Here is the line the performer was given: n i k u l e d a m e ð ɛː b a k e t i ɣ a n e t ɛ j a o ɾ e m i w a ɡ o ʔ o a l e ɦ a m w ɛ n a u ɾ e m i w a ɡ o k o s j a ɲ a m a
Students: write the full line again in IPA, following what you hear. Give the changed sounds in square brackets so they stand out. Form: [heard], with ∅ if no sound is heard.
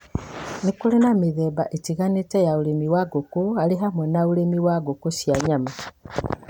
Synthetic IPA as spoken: n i k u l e [n] a m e ð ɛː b a [ʔ] e t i ɣ a n e t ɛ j a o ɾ e m i w a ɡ o [k] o a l e ɦ a m w ɛ n a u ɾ e m i w a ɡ o k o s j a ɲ a m a